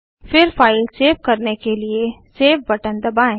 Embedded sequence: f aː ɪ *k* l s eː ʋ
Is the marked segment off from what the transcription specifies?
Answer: yes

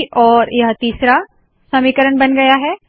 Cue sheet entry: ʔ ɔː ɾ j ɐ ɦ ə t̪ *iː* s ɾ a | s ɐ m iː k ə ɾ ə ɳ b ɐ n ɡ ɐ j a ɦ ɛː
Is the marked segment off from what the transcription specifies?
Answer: no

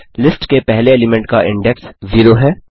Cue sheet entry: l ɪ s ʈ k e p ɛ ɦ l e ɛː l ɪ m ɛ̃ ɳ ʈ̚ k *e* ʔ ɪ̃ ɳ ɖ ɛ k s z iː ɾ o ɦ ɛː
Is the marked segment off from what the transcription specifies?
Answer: yes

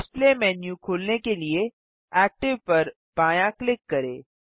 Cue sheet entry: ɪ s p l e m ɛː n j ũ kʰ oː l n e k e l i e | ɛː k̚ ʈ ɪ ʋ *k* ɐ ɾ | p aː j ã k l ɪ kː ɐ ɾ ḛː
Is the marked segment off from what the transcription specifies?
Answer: yes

